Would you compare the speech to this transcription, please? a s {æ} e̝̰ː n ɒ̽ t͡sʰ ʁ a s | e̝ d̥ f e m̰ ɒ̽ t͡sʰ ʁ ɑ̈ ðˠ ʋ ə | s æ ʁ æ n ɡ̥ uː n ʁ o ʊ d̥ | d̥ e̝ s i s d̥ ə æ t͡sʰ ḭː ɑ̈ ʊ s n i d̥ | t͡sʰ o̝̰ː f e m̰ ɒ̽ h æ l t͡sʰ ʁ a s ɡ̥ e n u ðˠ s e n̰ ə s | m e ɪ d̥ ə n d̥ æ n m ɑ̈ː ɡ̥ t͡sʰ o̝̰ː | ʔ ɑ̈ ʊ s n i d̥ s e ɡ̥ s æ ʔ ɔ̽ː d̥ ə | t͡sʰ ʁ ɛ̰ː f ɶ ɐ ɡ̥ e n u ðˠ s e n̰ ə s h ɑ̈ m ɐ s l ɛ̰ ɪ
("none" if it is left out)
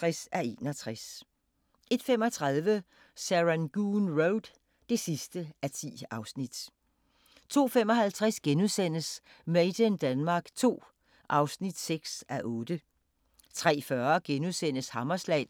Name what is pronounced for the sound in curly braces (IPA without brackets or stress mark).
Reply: æ